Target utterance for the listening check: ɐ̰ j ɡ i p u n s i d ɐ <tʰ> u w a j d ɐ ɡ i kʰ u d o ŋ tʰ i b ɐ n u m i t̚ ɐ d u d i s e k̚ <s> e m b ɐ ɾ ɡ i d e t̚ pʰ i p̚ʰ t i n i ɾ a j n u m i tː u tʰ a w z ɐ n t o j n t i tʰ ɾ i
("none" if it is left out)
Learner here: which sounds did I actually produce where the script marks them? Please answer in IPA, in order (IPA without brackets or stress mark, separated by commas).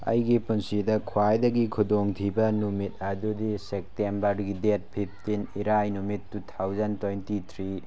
kʰ, t